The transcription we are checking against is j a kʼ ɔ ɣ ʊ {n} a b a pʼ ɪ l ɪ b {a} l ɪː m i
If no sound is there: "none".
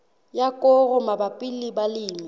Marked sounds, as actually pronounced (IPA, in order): m, a

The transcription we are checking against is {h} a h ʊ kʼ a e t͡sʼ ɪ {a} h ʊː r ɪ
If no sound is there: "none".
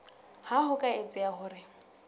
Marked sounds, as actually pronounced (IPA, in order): h, a

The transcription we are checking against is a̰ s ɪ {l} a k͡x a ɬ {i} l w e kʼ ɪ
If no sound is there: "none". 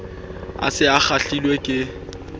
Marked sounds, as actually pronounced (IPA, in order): none, i

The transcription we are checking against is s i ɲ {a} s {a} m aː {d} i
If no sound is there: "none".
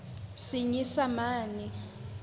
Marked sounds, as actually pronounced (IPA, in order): i, a, n

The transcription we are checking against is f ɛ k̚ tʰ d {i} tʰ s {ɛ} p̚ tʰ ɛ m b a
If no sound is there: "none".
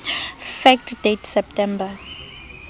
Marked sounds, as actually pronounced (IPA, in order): e, ɛ

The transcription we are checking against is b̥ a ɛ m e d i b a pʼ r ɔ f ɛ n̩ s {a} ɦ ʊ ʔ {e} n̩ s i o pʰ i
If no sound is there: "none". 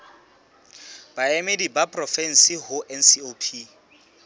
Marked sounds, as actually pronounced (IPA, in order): i, ɛ

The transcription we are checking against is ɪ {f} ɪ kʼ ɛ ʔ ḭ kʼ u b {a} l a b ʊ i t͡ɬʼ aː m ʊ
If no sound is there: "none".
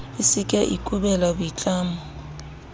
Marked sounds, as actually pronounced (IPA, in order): s, ɛ

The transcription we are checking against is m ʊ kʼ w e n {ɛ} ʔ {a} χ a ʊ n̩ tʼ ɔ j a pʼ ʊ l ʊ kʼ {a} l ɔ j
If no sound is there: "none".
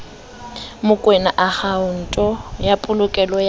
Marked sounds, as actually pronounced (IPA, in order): a, a, ɛ

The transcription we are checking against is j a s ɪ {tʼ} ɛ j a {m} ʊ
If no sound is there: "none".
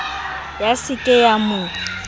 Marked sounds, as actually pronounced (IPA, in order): kʼ, m

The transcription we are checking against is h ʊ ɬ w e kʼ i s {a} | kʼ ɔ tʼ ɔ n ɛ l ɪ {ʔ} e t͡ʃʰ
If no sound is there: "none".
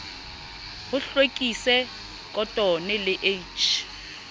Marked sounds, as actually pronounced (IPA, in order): ɛ, ʔ

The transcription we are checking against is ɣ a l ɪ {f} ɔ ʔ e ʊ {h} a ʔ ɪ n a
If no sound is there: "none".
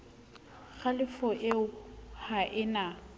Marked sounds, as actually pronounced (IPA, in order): f, h

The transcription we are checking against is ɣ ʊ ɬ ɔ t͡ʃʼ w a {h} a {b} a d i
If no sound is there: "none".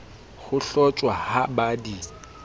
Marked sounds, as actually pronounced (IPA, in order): h, b

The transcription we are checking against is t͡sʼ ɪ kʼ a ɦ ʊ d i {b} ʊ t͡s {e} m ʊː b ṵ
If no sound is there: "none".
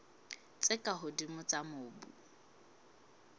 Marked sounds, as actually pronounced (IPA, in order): m, a

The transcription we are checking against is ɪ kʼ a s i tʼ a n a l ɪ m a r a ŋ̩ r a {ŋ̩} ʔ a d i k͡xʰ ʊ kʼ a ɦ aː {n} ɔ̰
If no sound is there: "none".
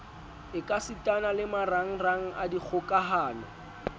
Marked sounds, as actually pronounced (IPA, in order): ŋ̩, n

